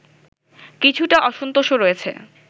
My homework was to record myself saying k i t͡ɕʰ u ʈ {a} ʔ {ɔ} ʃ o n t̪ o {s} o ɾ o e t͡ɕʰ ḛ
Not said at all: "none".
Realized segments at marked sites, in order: a, ɔ, ʃ

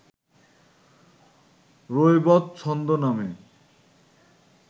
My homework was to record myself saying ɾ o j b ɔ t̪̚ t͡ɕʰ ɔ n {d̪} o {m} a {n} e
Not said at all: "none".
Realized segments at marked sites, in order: d̪, n, m

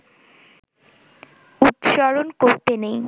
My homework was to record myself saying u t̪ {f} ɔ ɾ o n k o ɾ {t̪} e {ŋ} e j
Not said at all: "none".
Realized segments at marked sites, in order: ʃ, t̪, n

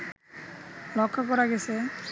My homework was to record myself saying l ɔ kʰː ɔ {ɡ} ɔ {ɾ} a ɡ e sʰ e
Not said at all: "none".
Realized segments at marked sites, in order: k, ɾ

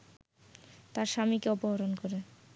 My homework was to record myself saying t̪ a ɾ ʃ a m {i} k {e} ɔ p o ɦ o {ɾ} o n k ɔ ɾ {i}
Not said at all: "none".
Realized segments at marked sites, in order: i, e, ɾ, e

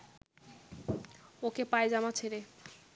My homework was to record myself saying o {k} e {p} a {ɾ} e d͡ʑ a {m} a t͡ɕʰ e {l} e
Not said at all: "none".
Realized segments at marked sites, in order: k, p, none, m, ɾ

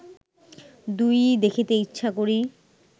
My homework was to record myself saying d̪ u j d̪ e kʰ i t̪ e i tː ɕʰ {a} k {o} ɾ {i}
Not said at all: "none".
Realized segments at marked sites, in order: a, o, i

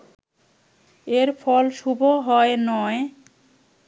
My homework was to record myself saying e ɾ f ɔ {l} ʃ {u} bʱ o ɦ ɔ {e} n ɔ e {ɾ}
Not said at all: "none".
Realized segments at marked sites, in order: l, u, e, none

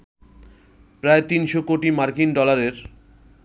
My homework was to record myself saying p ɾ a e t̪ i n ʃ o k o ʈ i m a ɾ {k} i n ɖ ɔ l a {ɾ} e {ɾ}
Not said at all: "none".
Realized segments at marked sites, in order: k, ɾ, ɾ

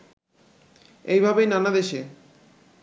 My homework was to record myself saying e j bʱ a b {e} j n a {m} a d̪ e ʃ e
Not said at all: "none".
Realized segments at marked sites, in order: e, n

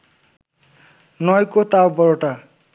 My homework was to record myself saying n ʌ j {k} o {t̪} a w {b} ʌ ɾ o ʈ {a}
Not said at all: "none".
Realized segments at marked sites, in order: k, t̪, b, a

